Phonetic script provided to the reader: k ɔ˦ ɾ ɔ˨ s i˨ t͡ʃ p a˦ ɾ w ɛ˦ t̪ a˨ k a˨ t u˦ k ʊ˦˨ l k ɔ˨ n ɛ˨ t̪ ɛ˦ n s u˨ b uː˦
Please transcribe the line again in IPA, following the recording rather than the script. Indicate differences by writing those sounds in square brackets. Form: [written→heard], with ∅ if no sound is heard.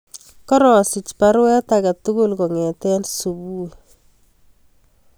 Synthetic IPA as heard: k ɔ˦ ɾ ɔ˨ s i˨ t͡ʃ p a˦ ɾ w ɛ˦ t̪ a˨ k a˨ t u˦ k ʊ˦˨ l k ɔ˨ [n→ŋ] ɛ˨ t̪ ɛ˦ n s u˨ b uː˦